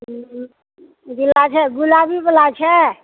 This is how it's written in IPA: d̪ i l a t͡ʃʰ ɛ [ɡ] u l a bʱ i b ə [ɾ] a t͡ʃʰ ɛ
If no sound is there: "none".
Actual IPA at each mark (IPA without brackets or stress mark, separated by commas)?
ɡ, l